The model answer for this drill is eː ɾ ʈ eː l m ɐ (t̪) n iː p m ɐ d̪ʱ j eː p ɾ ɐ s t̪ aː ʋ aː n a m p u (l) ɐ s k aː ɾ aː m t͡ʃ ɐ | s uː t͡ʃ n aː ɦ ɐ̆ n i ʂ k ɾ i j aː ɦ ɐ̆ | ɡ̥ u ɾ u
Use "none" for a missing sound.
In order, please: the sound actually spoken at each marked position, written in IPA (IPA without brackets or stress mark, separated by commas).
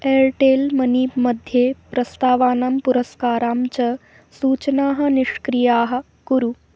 none, ɾ